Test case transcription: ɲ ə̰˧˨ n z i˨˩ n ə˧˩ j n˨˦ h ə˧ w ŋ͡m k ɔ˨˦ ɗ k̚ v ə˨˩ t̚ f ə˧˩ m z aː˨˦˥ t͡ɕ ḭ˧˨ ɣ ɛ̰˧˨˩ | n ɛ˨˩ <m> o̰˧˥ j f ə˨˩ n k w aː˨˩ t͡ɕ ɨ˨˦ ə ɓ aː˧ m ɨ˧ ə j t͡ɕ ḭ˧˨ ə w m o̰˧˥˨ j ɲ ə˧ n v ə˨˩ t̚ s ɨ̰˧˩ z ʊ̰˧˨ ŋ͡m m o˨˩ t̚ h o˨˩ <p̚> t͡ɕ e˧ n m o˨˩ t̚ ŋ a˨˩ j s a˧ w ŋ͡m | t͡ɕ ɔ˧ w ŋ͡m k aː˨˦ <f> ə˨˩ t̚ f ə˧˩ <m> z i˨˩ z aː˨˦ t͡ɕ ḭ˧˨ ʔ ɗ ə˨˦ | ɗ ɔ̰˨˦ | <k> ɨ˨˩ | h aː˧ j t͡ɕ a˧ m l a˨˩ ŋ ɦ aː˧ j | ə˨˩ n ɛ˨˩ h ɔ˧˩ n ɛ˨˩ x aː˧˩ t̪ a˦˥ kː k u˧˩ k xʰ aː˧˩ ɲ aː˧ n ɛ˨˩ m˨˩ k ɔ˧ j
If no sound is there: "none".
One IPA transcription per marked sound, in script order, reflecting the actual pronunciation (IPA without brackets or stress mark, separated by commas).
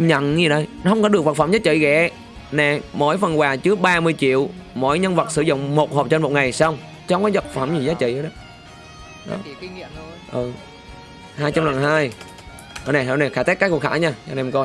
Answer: m, p̚, v, m, ʔ